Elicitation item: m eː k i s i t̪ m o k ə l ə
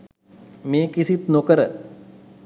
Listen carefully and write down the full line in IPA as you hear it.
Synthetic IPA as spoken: m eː k i s i t̪ n o k ə ɾ ə